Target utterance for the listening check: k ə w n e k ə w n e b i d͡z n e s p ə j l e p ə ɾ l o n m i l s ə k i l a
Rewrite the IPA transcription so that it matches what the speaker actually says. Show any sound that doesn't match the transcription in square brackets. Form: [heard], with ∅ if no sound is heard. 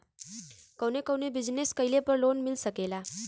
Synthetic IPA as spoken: k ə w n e k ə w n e b i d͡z n e s [k] ə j l e p ə ɾ l o n m i l s ə k [e] l a